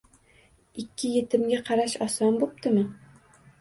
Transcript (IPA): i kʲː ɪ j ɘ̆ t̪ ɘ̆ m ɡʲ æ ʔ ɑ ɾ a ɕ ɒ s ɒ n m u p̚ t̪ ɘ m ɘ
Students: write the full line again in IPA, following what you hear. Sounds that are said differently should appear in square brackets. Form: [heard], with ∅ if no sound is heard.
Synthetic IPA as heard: i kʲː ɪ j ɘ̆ t̪ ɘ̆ m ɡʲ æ [q] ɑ ɾ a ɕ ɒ s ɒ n [b] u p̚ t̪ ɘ m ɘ